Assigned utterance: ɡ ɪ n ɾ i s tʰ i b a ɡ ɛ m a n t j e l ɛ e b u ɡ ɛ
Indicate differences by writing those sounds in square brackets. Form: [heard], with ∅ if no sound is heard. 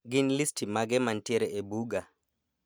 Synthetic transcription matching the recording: ɡ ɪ n [l] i s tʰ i [m] a ɡ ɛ m a n t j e [ɾ] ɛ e b u ɡ [a]